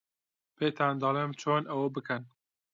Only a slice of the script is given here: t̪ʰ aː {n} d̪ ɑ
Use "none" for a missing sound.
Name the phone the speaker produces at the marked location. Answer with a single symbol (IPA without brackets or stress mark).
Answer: n